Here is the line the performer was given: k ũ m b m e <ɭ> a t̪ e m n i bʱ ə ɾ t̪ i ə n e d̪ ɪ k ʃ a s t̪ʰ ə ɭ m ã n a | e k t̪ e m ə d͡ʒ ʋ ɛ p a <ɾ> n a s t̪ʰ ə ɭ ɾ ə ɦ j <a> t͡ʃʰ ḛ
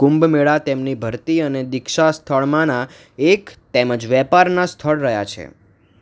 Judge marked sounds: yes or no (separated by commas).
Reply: yes, yes, yes